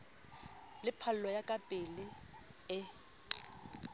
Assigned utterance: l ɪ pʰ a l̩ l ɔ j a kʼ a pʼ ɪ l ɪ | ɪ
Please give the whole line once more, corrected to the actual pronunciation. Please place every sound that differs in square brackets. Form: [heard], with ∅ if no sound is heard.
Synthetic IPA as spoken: l ɪ pʰ a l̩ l ɔ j a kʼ a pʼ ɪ l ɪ | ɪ